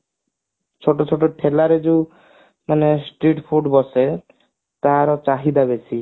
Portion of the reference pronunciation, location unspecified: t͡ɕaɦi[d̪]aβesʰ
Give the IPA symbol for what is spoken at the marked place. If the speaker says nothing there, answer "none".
d̪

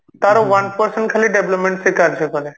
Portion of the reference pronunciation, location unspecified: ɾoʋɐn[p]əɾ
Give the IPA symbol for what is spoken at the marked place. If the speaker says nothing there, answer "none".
p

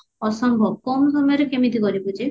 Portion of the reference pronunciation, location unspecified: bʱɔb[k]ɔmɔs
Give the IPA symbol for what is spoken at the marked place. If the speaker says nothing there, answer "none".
k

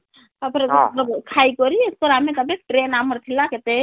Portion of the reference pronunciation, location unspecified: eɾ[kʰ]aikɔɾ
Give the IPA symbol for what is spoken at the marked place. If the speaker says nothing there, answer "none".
kʰ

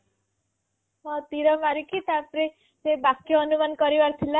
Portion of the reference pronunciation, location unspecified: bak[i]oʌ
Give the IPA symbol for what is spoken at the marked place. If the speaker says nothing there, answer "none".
j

